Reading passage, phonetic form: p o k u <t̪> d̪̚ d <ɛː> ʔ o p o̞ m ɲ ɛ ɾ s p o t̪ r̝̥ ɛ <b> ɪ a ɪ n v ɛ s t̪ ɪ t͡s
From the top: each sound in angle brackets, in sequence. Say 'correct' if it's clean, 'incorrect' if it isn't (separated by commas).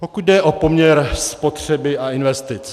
incorrect, incorrect, correct